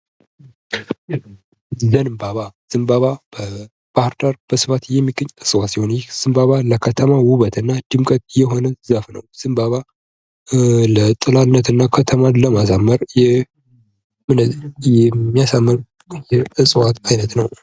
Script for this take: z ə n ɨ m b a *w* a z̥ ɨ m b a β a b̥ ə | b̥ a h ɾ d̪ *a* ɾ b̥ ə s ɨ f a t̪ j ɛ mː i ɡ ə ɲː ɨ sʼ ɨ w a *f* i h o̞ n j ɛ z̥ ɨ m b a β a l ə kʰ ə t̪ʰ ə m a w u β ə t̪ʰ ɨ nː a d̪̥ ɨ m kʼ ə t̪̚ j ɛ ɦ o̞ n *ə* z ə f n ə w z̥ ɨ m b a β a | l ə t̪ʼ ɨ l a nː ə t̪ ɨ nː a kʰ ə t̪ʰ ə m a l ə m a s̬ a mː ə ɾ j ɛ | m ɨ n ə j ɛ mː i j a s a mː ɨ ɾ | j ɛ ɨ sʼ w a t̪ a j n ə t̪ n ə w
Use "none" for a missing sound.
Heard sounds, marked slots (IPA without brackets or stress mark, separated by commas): β, a, s, ə